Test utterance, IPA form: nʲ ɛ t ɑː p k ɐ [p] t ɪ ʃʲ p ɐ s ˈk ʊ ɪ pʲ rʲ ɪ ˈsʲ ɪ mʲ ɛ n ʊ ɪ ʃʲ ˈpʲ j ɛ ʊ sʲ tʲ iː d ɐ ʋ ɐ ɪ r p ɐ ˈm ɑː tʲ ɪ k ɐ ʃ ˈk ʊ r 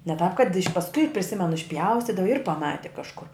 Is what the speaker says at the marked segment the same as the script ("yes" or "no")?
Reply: no